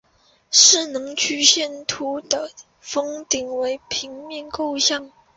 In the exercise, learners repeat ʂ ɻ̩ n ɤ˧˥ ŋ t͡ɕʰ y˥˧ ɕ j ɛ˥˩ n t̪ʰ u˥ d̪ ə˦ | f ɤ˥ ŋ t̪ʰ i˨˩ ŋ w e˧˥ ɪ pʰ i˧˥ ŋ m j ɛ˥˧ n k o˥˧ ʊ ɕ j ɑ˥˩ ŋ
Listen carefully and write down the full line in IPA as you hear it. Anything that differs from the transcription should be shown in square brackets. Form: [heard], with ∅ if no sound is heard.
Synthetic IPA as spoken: ʂ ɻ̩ n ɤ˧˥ ŋ t͡ɕʰ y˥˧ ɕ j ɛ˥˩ n t̪ʰ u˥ d̪ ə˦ | f ɤ˥ ŋ [t̪] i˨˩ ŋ w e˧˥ ɪ pʰ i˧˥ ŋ m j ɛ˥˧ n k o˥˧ ʊ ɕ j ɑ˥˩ ŋ